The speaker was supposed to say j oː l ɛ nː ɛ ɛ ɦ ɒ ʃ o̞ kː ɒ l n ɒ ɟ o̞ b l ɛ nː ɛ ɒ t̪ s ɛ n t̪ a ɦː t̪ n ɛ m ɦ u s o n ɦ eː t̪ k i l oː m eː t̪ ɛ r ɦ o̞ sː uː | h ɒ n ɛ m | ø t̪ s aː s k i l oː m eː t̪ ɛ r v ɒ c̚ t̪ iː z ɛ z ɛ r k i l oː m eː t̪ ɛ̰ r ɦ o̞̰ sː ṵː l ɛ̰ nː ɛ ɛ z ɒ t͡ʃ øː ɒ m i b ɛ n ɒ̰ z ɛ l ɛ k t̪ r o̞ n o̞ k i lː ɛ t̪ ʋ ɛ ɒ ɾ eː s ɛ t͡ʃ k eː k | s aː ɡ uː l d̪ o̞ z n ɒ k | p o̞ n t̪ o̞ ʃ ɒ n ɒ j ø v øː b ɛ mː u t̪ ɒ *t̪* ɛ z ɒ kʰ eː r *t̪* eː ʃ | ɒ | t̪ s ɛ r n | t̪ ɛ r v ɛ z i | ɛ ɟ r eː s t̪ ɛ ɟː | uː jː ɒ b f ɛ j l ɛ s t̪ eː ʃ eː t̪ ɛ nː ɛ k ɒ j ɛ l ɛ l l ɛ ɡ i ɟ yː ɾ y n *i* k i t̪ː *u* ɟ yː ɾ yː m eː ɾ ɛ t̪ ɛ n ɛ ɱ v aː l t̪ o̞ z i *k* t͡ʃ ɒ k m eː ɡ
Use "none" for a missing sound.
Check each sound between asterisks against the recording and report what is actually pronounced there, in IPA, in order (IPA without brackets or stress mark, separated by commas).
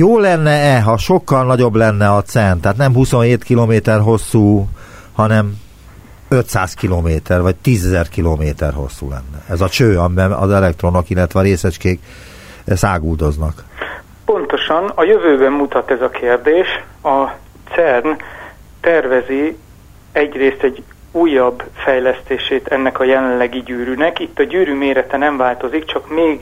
t̪, d̪, ɛ, ɒ, k